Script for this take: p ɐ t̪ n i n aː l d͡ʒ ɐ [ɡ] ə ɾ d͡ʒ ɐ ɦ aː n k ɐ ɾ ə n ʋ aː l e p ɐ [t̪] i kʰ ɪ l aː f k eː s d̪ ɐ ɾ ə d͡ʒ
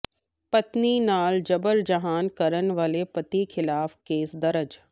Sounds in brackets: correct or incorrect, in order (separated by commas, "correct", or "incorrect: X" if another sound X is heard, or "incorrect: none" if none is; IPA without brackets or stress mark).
incorrect: b, correct